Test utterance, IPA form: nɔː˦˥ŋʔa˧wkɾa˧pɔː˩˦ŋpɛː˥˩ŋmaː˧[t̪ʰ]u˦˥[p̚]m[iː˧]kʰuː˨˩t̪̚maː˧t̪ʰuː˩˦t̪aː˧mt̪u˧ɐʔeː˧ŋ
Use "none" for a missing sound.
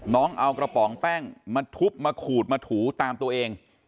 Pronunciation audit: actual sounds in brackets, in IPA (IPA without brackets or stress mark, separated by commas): t̪ʰ, p̚, aː˧